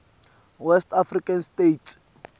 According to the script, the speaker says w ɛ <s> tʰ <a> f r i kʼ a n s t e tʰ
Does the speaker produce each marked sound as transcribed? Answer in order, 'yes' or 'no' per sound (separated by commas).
yes, yes